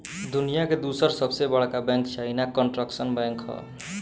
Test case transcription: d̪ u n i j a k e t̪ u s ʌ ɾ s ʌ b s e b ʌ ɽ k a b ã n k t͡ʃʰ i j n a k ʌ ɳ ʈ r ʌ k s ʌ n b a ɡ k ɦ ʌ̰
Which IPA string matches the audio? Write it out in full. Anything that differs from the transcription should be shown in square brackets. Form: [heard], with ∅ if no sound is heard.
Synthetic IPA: d̪ u n i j a k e [d̪] u s ʌ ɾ s ʌ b s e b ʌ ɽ k a b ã [ŋ] k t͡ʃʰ [a] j n a k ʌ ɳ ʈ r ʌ k s ʌ n b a [ŋ] k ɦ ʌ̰